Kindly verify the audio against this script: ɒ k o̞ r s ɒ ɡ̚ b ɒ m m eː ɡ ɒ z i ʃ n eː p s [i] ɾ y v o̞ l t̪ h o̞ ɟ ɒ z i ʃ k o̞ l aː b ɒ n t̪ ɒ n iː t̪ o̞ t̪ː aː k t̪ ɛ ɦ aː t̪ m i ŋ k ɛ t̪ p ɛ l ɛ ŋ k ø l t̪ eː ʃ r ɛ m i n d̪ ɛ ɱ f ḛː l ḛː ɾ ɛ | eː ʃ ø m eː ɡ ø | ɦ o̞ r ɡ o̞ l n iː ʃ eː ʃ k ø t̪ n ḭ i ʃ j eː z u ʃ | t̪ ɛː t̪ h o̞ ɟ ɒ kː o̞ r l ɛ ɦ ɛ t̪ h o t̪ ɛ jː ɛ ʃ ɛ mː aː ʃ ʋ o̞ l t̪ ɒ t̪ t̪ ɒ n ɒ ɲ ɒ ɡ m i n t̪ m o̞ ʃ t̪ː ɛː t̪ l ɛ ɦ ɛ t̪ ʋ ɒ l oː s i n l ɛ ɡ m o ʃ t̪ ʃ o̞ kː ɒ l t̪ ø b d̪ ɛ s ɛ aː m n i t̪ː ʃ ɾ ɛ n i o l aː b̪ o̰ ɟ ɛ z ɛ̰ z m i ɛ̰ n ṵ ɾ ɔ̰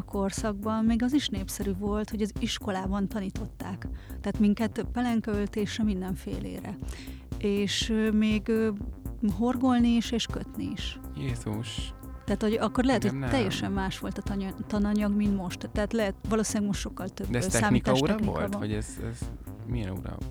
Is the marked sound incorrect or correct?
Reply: incorrect